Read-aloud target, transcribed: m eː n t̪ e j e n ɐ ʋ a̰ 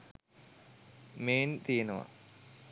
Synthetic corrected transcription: m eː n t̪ i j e n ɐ ʋ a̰